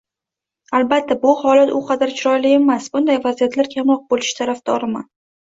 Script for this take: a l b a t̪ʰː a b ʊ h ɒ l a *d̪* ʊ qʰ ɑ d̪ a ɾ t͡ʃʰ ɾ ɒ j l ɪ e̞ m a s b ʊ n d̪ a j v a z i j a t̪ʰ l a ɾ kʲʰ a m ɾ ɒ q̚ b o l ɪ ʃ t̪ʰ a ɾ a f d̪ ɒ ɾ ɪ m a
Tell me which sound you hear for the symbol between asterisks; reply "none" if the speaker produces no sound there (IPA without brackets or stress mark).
t̪